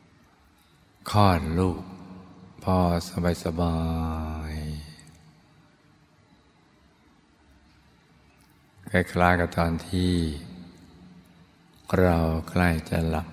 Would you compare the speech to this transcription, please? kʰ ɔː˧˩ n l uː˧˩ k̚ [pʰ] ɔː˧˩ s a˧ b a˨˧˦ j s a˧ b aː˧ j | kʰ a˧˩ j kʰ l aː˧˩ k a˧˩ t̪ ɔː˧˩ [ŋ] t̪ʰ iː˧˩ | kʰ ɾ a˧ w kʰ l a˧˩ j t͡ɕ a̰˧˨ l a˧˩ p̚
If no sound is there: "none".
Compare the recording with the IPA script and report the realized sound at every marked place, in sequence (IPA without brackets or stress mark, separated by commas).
pʰ, n